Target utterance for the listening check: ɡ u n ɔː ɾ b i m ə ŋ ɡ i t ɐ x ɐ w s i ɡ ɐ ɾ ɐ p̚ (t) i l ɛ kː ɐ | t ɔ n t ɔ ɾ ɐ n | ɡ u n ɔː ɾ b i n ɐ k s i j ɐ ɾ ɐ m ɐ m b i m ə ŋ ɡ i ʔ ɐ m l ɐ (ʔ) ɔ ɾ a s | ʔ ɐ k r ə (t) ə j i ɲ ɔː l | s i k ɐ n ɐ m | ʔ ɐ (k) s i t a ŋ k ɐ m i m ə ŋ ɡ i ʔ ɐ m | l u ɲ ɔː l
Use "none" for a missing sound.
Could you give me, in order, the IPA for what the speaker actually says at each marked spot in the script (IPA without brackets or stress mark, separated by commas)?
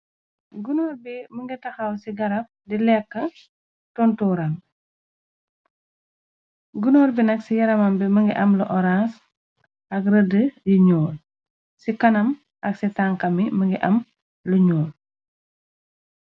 d, ʔ, d, k